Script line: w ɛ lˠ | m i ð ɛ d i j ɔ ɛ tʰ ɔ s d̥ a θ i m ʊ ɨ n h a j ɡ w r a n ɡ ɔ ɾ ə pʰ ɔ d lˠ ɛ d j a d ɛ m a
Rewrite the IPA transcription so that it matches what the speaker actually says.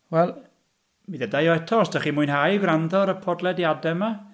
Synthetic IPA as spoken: w ɛ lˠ | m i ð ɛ d a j ɔ ɛ tʰ ɔ s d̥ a χ i m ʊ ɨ n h a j ɡ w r a n d ɔ ɾ ə pʰ ɔ d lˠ ɛ d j a d ɛ m a